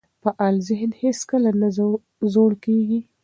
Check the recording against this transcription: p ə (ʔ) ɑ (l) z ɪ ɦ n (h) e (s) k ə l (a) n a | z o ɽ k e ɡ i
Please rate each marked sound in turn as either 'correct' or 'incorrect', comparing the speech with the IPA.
correct, correct, correct, correct, correct

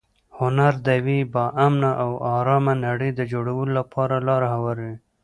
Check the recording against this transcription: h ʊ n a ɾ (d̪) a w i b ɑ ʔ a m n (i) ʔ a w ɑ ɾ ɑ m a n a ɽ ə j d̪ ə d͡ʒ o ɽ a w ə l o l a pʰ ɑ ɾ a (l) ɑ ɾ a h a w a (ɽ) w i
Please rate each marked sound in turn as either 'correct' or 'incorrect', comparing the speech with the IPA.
correct, incorrect: a, correct, incorrect: ɾ

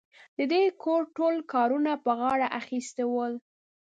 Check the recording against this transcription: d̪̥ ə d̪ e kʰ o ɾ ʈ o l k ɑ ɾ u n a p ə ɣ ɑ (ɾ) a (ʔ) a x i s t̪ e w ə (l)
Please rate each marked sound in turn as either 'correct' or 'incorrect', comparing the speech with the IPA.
incorrect: ɽ, correct, correct

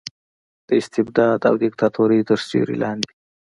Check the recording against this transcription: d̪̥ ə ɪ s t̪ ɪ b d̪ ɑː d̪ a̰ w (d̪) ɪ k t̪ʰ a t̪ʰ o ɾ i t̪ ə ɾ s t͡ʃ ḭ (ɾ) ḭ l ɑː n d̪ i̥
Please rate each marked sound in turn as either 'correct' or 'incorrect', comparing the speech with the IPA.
correct, correct

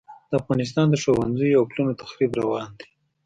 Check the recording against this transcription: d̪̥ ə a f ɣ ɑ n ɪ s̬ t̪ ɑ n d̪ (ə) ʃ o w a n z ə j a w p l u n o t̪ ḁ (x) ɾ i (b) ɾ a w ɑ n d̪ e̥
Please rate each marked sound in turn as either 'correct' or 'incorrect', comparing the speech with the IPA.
correct, correct, correct

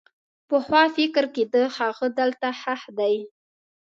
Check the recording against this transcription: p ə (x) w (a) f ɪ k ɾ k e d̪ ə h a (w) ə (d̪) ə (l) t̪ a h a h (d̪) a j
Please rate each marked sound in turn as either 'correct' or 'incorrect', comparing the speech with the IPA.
correct, incorrect: ɑ, incorrect: ɣ, correct, correct, correct

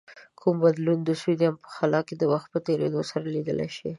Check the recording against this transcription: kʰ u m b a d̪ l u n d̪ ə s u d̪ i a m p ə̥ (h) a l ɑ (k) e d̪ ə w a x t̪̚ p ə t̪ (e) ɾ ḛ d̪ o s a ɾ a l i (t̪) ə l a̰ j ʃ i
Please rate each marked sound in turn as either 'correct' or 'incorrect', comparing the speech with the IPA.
incorrect: x, correct, correct, incorrect: d̪

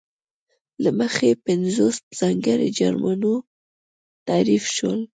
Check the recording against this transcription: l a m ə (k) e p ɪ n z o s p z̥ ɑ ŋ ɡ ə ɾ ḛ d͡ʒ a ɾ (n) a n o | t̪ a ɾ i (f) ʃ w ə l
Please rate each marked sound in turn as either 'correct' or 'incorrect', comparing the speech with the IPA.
incorrect: x, incorrect: m, correct

